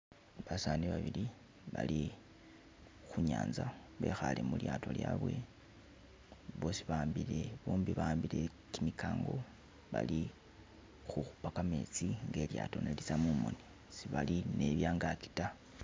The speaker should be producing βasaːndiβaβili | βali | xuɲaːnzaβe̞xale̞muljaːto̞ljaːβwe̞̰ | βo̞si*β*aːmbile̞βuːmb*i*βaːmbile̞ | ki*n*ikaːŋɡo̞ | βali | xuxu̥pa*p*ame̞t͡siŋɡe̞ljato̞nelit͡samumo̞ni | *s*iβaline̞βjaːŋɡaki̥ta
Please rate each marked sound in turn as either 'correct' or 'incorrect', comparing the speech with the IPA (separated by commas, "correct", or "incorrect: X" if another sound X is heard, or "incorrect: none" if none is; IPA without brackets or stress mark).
correct, correct, incorrect: m, incorrect: k, correct